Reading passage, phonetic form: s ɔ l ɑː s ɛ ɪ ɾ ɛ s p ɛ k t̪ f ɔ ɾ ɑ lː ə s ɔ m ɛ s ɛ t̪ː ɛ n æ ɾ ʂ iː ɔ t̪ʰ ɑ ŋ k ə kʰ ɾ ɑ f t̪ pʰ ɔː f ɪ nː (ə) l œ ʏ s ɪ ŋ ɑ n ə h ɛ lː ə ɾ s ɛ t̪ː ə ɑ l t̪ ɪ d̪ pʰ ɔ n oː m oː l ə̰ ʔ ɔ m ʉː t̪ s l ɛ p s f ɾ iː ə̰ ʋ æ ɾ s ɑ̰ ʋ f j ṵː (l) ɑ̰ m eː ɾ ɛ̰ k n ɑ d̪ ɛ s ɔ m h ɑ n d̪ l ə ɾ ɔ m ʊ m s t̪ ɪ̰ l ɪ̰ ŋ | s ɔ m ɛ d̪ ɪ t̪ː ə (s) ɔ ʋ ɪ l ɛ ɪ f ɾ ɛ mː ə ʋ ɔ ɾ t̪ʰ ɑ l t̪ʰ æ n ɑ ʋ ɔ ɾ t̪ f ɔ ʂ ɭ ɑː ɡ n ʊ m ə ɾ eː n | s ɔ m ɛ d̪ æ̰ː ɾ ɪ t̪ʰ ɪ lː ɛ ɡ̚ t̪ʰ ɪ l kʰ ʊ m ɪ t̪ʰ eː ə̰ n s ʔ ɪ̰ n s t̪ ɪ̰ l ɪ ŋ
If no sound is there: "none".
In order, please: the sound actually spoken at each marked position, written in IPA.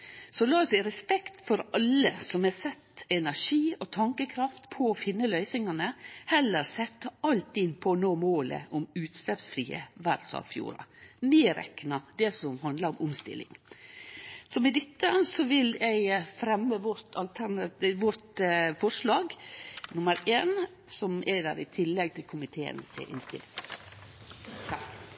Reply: ə, ɾ, s

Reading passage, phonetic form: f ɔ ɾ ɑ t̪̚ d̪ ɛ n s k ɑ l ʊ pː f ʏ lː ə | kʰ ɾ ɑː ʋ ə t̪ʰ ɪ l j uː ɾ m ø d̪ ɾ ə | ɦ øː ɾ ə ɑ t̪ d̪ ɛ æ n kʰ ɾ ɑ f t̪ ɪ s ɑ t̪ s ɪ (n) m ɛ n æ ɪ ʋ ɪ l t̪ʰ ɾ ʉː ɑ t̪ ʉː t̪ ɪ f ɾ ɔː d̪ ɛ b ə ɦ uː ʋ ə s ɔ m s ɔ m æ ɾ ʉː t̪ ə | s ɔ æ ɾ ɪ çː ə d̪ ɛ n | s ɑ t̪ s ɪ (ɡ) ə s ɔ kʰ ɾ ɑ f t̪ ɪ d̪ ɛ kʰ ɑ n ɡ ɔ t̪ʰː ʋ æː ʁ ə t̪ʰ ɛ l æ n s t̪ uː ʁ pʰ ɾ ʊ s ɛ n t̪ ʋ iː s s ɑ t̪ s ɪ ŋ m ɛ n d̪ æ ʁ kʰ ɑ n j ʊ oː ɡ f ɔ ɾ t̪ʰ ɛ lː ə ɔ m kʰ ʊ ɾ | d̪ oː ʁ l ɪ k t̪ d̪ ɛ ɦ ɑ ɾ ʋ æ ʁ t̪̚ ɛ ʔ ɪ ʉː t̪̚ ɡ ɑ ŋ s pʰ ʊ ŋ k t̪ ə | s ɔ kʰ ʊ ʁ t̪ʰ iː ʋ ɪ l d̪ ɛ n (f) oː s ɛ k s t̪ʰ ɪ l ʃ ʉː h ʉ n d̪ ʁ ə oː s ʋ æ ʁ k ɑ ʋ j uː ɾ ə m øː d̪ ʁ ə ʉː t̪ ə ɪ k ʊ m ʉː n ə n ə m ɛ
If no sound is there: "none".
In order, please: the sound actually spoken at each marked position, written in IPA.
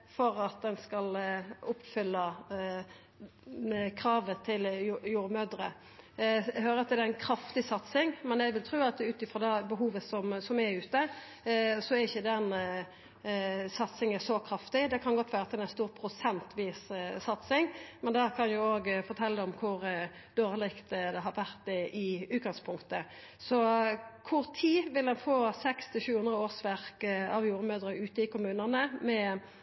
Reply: ŋ, ŋ, f

